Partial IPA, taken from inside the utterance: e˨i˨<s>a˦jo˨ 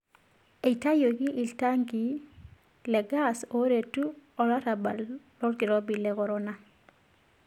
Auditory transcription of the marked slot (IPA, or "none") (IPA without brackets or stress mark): t